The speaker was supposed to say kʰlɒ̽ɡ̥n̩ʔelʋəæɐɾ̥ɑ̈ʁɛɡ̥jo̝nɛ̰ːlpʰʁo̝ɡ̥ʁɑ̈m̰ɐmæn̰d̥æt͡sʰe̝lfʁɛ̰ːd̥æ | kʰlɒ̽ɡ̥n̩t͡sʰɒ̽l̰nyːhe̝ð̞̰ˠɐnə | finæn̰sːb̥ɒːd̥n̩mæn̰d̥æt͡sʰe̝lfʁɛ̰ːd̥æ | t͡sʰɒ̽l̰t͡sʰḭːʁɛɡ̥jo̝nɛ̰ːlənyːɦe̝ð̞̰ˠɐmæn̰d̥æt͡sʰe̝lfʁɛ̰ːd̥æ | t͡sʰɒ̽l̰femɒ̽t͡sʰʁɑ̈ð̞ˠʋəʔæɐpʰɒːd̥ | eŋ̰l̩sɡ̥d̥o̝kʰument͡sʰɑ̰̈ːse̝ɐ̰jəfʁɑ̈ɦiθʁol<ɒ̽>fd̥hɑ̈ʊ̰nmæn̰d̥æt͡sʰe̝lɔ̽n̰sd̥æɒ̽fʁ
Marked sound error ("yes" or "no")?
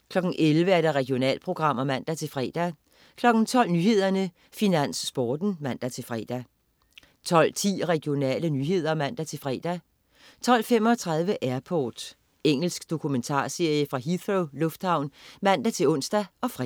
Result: yes